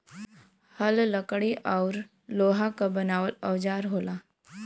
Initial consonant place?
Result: glottal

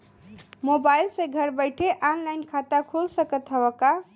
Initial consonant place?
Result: labial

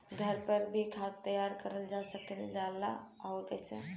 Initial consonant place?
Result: velar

